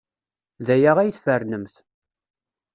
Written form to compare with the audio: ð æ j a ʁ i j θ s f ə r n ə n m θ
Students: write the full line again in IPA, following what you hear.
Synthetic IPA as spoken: ð æ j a ʁ æ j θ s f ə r n ə m θ

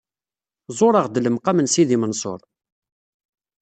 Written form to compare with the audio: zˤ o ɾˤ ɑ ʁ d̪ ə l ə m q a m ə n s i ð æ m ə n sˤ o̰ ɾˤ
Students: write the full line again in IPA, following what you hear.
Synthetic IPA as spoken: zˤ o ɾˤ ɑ ʁ d̪ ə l ə m q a m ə n s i ð i m ə n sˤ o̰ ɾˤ

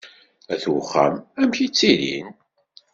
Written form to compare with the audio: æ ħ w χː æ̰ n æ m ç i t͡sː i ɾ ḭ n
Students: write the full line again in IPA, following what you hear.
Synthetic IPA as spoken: æ θ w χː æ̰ m æ m ç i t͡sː i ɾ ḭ n

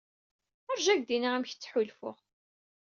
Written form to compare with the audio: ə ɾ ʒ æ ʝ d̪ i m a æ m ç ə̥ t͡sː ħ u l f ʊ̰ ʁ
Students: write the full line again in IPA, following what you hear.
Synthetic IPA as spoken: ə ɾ ʒ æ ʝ d̪ i n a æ m ç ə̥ t͡sː ħ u l f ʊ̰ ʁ

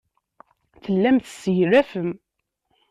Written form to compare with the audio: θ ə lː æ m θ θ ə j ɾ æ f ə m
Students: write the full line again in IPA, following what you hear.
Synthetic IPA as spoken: θ ə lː æ m θ s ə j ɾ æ f ə m

